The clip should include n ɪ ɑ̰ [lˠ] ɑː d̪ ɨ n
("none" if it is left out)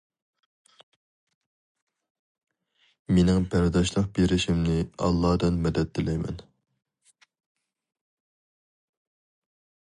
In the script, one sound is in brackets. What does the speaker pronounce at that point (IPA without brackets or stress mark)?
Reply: lˠː